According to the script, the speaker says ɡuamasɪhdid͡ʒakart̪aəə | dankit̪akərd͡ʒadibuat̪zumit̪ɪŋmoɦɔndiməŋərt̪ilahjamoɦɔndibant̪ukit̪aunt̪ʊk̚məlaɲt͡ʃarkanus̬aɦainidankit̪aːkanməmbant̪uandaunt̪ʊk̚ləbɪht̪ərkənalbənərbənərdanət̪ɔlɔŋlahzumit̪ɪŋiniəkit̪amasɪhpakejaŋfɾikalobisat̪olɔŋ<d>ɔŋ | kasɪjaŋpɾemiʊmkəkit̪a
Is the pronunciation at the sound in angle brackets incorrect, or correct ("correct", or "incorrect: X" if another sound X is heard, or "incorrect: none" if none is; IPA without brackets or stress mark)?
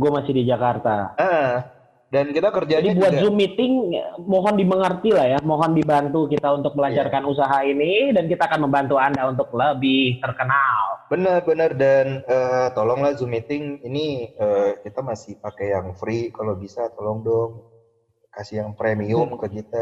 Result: correct